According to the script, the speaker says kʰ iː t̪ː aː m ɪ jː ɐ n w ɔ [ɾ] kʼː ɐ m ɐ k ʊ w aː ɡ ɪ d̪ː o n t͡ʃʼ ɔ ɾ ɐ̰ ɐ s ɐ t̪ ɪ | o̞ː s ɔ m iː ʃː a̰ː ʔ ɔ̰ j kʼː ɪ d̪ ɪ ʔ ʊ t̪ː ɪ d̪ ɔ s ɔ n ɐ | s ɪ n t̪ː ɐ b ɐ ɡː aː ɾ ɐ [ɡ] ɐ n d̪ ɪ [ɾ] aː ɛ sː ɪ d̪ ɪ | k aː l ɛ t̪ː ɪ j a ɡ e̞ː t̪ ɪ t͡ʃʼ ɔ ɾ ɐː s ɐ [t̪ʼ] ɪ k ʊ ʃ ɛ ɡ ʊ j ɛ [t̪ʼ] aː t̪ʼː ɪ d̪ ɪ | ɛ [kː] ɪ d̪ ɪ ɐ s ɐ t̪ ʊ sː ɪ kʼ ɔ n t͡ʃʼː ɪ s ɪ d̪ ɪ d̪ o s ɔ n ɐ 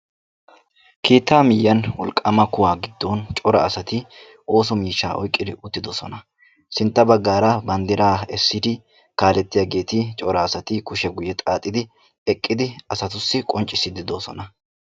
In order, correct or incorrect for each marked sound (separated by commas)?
incorrect, incorrect, correct, incorrect, correct, incorrect